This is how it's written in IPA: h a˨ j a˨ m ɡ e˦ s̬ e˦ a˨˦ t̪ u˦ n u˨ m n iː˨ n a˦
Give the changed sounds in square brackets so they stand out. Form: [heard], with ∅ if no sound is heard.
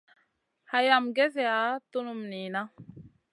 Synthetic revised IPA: h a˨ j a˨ m ɡ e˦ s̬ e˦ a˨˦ t̪ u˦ n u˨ m n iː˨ n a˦